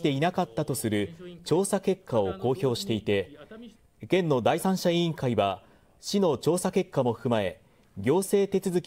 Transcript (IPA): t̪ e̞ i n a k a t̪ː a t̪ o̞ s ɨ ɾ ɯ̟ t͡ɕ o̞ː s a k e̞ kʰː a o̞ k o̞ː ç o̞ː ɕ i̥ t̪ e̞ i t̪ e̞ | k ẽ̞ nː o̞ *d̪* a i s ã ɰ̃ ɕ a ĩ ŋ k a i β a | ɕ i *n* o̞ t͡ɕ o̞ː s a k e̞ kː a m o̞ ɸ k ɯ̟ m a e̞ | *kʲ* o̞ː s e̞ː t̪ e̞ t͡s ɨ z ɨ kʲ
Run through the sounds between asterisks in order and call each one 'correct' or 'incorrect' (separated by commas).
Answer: correct, correct, incorrect